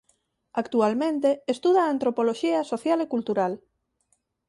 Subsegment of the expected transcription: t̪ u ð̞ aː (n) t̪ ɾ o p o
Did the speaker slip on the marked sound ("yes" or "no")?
no